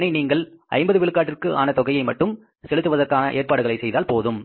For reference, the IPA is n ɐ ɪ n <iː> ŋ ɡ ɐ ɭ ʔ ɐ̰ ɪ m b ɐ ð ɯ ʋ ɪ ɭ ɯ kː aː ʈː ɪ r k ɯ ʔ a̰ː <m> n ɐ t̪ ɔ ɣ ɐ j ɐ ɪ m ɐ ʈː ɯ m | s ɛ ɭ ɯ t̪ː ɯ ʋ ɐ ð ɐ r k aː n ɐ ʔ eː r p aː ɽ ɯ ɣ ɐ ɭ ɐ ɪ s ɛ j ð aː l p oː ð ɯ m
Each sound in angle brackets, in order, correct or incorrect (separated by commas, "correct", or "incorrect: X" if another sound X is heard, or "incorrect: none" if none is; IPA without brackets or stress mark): correct, incorrect: none